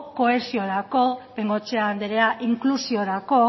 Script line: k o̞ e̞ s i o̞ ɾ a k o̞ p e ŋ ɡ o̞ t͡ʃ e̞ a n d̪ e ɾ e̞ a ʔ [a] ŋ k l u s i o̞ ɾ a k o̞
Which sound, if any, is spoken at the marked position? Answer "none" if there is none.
i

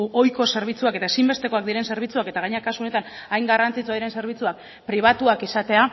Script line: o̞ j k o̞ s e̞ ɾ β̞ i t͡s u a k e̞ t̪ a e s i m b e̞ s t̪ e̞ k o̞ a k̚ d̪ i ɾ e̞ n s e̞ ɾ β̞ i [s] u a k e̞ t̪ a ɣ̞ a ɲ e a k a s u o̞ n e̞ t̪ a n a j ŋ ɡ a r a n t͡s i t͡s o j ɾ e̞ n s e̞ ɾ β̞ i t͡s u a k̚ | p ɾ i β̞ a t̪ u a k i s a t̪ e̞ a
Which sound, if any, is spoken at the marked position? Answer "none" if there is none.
t͡s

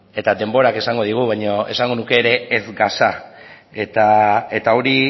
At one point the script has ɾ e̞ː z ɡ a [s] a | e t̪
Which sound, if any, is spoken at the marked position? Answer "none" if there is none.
s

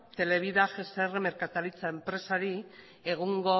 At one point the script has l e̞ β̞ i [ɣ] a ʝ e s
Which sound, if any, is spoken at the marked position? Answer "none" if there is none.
ð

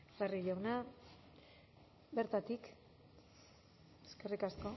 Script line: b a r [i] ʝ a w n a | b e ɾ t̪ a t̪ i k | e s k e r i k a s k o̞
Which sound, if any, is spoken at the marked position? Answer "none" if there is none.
i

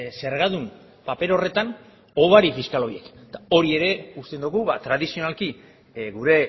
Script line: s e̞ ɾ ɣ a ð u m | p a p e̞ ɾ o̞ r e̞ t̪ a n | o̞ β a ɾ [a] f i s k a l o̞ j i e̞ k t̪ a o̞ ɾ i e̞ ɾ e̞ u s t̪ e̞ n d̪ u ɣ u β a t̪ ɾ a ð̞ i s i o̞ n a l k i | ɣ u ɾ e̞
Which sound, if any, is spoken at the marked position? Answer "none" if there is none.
i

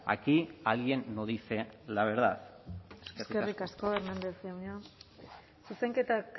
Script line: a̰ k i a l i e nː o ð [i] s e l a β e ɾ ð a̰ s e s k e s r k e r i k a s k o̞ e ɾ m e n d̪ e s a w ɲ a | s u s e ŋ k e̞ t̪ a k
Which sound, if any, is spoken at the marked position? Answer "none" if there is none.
i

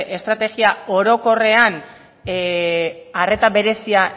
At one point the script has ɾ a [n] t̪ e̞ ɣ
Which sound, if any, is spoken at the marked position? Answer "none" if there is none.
none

